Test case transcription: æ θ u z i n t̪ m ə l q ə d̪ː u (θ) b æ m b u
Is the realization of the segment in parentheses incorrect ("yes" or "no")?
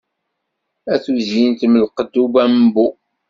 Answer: yes